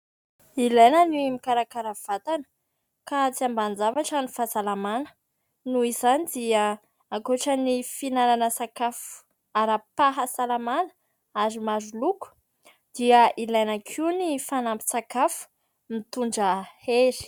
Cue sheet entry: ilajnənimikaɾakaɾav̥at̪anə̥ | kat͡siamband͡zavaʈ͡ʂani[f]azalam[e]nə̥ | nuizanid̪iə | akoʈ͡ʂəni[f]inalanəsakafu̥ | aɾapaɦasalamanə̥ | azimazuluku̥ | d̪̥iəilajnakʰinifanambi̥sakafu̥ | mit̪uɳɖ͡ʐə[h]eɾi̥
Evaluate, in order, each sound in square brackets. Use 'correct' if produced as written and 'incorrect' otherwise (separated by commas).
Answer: correct, incorrect, correct, correct